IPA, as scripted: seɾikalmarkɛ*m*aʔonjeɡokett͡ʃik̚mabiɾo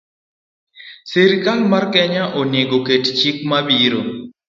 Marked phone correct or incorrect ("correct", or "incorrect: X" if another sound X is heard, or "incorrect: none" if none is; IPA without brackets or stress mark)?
incorrect: ɲ